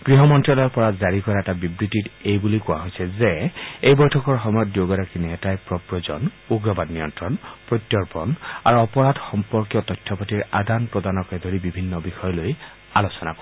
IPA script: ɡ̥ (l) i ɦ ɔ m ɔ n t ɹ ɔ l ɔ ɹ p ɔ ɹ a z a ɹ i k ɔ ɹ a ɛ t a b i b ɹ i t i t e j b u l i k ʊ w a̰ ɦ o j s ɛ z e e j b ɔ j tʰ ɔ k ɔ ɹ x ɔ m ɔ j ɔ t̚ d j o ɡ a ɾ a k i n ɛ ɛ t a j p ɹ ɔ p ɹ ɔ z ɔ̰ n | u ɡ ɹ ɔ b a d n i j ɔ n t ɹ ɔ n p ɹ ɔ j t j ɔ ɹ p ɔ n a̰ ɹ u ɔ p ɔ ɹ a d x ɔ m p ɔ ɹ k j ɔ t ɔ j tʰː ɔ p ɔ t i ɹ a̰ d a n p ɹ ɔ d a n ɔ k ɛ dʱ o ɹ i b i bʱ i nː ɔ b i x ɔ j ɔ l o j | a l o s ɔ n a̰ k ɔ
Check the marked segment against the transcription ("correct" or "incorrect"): incorrect